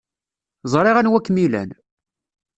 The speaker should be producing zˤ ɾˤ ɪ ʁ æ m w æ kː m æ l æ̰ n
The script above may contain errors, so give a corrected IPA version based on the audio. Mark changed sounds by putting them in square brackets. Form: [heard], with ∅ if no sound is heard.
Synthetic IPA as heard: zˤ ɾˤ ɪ ʁ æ [n] w æ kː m [i] l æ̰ n